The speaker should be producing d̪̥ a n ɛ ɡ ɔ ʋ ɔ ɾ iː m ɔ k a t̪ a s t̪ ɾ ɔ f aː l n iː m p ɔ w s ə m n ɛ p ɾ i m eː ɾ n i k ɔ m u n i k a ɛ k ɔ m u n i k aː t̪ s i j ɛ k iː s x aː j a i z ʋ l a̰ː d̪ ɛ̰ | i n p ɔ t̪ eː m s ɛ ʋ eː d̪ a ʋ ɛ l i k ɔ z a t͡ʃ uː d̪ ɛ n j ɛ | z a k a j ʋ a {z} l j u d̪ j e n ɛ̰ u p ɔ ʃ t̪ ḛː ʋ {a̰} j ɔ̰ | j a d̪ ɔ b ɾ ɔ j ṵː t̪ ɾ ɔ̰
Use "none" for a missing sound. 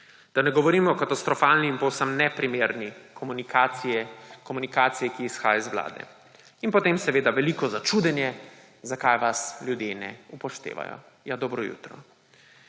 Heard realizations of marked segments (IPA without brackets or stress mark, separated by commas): s, a̰